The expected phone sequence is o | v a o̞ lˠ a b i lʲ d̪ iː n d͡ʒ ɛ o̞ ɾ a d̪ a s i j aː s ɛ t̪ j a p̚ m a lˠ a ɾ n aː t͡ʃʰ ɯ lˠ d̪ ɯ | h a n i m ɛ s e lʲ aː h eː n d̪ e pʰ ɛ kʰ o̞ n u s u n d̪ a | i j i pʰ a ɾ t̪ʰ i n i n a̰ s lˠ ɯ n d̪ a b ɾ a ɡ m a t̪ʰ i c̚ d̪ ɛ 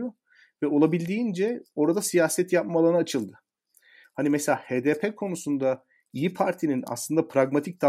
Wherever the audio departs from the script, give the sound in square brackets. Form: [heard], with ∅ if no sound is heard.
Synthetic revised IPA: o | v [ɛ] o̞ lˠ a b i lʲ d̪ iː n d͡ʒ ɛ o̞ ɾ a d̪ a s i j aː s ɛ t̪ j a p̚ m a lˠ a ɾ n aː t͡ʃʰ ɯ lˠ d̪ ɯ | h a n i m ɛ s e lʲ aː h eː [∅] d̪ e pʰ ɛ kʰ o̞ n u s u n d̪ a | i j i pʰ a ɾ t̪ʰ i n i n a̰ s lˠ ɯ n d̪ a [p] ɾ a ɡ m a t̪ʰ i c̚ d̪ [a]